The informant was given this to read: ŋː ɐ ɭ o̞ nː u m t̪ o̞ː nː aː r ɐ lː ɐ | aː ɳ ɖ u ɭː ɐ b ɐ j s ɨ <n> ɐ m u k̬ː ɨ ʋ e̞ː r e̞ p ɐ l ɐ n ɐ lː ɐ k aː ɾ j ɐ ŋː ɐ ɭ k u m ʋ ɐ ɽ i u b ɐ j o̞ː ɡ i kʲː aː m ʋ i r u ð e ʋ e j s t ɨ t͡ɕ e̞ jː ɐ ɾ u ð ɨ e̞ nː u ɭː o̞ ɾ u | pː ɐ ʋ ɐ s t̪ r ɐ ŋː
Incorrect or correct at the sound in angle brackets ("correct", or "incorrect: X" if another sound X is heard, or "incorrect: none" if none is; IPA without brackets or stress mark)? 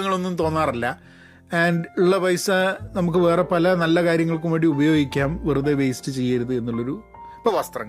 correct